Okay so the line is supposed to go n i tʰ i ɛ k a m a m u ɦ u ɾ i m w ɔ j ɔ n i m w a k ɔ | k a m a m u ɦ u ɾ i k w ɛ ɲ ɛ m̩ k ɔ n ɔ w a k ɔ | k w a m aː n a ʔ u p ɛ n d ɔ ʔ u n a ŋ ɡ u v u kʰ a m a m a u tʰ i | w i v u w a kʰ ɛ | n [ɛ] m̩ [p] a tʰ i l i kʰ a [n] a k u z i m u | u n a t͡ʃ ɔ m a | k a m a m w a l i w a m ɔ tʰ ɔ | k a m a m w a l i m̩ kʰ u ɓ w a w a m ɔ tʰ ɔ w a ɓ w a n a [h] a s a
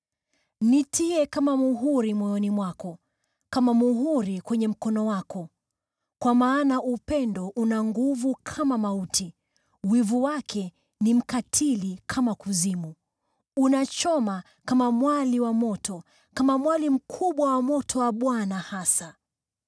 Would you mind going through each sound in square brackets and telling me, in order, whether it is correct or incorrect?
incorrect, incorrect, incorrect, correct

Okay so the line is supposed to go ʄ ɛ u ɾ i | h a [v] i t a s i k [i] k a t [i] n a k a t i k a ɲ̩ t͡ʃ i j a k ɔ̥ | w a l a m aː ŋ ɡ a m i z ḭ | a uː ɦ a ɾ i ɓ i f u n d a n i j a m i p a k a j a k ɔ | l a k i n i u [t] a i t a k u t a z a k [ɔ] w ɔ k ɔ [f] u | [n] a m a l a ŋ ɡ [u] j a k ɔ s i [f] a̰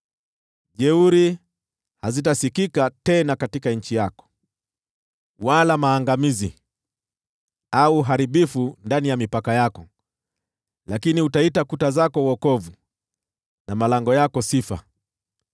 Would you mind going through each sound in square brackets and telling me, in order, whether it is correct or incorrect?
incorrect, correct, incorrect, correct, correct, incorrect, correct, incorrect, correct

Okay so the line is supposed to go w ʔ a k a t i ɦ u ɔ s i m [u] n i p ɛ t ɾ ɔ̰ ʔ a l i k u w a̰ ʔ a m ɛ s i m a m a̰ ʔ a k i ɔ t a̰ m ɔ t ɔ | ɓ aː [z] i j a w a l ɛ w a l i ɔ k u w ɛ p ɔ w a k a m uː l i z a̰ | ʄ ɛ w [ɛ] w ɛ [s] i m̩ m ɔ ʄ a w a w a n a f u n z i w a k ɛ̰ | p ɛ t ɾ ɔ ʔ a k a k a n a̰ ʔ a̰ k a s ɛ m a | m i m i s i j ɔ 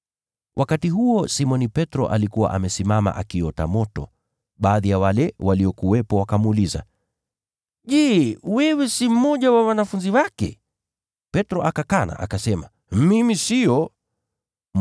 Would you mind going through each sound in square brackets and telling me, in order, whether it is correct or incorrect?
incorrect, incorrect, correct, correct

